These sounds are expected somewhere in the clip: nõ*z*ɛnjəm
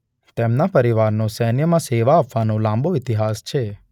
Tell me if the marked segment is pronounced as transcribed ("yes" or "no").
no